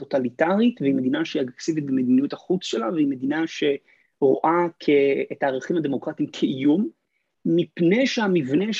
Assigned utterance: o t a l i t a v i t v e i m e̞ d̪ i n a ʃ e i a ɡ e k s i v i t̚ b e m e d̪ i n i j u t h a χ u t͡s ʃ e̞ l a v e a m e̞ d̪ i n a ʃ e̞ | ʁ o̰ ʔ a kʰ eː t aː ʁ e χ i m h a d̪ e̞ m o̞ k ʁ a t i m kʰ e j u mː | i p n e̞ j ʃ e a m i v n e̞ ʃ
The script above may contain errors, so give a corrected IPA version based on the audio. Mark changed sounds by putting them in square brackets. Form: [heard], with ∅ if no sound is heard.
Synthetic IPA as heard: o t a l i t a [ʁ] i t v e i m e̞ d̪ i n a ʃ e i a ɡ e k s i v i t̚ b e m e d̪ i n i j u t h a χ u t͡s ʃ e̞ l a v e [i] m e̞ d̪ i n a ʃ e̞ | ʁ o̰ ʔ a kʰ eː t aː ʁ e χ i m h a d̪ e̞ m o̞ k ʁ a t i m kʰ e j u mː | i p n e̞ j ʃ e a m i v n e̞ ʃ